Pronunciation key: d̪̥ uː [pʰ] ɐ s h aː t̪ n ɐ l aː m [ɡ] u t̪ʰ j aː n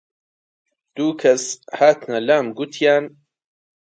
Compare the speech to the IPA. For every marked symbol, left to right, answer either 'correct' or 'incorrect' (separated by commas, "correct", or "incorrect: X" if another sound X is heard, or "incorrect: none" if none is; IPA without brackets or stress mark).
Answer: incorrect: kʰ, correct